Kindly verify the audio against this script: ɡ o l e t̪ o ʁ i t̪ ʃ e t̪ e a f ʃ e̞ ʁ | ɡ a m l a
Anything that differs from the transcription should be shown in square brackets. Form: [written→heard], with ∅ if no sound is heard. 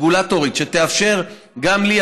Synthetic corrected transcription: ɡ [o→u] l [e→a] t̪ o ʁ i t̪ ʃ e t̪ e a f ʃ e̞ ʁ | ɡ a m l [a→i]